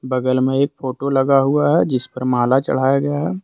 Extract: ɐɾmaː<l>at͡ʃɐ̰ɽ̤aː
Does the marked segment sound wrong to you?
no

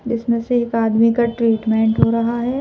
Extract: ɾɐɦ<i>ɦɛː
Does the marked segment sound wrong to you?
yes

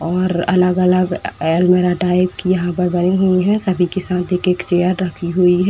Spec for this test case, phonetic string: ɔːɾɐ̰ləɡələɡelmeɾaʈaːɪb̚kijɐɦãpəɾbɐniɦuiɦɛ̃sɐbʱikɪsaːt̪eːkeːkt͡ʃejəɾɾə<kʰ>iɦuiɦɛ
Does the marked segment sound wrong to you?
no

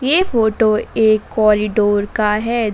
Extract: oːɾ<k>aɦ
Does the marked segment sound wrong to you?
no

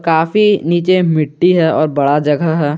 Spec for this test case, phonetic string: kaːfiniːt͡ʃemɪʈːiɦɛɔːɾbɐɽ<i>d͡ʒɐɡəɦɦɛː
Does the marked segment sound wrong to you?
yes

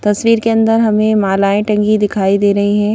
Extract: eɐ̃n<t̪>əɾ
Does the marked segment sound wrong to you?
yes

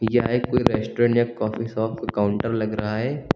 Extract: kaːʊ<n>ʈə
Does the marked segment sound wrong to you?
yes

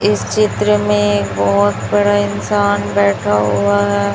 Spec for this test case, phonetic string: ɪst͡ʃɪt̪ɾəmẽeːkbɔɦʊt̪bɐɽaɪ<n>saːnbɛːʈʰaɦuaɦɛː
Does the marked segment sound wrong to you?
no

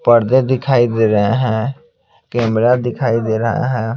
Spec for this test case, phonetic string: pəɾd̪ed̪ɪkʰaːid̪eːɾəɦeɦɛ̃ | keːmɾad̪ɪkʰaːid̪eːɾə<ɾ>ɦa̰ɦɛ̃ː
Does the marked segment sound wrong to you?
yes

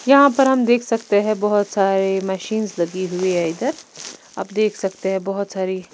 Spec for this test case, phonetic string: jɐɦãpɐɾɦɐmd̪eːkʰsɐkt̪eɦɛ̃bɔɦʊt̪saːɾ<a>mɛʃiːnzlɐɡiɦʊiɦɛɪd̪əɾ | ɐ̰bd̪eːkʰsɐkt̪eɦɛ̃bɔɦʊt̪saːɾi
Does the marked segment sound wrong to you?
yes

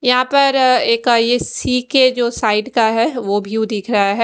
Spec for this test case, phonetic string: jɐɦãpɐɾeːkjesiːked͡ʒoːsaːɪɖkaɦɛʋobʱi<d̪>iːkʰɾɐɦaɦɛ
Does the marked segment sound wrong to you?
no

